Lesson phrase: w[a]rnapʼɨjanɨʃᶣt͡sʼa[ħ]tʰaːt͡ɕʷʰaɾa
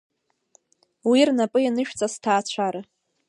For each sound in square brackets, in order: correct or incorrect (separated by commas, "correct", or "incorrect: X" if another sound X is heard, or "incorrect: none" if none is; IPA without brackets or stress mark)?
incorrect: i, incorrect: s